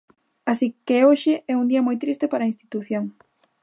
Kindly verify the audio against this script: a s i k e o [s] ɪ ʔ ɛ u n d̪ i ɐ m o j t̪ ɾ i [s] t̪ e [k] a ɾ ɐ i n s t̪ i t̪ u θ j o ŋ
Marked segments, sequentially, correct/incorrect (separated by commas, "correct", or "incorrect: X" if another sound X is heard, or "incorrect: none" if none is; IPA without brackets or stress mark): incorrect: ʃ, correct, incorrect: p